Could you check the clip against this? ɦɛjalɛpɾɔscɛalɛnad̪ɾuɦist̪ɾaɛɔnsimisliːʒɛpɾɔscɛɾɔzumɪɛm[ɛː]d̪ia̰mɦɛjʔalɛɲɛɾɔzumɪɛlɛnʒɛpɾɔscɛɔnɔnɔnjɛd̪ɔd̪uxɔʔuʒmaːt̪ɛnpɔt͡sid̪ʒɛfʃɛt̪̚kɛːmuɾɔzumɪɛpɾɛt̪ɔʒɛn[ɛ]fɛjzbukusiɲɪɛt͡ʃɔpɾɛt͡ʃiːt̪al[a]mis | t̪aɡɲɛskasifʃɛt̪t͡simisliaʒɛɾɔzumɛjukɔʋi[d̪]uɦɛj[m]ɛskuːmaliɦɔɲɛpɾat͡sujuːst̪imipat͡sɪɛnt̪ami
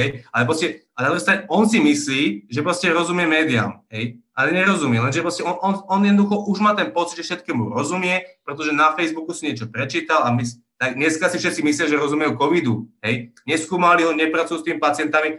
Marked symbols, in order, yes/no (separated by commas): yes, no, yes, yes, no